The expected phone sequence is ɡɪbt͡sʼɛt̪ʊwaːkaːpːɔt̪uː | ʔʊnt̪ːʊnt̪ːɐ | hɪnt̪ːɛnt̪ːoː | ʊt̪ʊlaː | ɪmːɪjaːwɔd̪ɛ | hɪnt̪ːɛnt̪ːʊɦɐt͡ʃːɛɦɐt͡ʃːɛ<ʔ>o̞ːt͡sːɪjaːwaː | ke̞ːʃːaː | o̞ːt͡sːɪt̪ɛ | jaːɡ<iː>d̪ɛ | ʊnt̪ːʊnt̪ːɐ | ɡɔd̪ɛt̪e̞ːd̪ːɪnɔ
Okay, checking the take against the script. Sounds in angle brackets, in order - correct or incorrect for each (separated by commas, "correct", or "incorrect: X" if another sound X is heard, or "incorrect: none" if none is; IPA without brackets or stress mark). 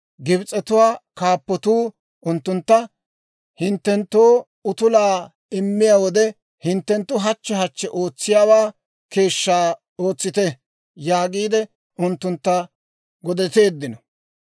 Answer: correct, correct